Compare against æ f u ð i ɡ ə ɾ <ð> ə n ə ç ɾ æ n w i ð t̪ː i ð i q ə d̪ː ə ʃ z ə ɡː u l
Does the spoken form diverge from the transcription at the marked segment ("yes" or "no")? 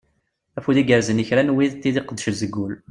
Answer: yes